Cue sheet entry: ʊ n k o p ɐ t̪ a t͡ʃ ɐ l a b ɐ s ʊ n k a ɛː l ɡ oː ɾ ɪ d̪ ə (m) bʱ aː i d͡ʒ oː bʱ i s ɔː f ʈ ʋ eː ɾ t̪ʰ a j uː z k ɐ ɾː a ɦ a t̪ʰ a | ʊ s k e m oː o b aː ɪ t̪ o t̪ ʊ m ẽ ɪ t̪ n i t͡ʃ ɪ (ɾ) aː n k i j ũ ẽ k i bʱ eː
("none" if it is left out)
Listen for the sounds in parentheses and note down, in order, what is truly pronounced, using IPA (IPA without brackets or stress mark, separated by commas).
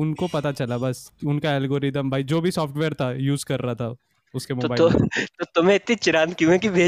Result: m, ɾ